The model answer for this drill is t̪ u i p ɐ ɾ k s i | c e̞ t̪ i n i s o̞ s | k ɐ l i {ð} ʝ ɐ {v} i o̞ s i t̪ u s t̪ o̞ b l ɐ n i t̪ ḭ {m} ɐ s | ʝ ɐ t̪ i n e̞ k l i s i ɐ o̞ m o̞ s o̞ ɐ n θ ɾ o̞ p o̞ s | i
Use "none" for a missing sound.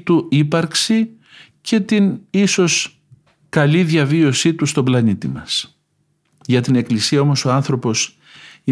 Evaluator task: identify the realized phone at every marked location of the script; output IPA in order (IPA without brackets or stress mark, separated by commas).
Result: ð, v, m